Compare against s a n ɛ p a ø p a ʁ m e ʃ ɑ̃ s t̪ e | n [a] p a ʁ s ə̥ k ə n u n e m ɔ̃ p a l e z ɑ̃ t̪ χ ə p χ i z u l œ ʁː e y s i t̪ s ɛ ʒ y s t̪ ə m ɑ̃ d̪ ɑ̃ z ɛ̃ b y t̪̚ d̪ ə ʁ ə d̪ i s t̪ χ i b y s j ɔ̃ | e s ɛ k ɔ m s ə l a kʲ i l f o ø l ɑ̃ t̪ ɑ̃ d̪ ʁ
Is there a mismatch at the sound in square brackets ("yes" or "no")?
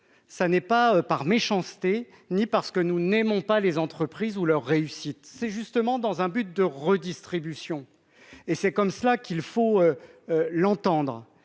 yes